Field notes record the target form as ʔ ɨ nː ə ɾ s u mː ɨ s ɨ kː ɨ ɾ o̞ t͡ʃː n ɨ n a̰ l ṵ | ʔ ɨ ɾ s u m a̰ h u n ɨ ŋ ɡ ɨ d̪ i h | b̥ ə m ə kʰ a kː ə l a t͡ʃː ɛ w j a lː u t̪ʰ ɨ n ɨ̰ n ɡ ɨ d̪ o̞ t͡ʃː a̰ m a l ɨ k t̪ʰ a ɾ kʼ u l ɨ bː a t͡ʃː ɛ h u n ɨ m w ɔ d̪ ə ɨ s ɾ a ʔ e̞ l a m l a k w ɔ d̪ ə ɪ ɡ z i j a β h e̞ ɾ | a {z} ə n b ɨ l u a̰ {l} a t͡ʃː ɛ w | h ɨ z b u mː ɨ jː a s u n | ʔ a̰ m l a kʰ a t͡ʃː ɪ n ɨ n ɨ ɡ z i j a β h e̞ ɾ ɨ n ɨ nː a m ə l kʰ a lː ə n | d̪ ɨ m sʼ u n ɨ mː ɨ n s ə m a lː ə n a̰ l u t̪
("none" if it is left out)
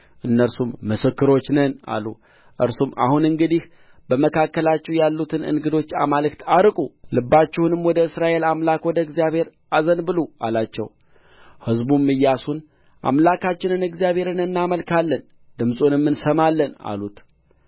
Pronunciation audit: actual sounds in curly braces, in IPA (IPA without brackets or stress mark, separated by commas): z, l